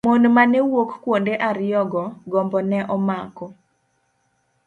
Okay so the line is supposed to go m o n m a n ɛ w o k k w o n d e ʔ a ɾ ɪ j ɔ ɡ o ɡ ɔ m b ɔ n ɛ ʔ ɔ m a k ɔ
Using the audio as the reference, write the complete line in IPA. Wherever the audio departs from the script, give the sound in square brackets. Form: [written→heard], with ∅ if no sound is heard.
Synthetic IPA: m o n m a n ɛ w o k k w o n d e ʔ a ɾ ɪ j ɔ ɡ [o→ɔ] ɡ ɔ m b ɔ n ɛ ʔ ɔ m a k ɔ